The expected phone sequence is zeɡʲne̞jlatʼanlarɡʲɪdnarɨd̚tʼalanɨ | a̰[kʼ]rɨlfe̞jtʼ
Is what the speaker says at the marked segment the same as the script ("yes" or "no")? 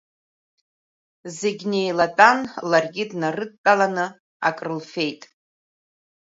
yes